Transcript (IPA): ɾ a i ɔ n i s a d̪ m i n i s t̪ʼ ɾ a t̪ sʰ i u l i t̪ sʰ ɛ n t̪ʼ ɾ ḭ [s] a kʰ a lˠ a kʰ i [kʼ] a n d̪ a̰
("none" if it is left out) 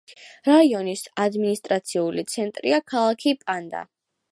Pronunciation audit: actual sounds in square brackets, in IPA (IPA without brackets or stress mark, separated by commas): none, pʼ